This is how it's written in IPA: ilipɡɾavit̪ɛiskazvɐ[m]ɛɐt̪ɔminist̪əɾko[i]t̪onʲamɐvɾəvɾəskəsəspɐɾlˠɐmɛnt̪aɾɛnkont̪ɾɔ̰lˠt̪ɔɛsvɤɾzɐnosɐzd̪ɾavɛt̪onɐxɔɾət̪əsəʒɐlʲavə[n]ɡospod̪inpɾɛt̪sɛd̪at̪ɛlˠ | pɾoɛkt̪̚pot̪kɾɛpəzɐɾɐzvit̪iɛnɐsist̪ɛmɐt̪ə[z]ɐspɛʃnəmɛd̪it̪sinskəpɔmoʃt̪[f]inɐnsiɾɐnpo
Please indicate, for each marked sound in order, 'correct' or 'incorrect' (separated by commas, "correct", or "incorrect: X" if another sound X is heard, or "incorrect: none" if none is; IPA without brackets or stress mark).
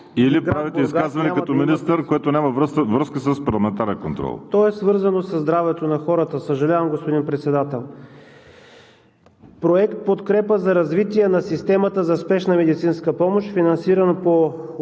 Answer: incorrect: n, incorrect: ɛ, incorrect: m, correct, correct